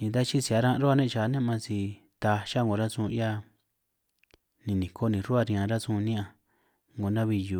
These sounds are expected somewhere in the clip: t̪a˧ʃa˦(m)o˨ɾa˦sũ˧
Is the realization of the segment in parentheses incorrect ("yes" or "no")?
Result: yes